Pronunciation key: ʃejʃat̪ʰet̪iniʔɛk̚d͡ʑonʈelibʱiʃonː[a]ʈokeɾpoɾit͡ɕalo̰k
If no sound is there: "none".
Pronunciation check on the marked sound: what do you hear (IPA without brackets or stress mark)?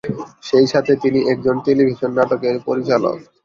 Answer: a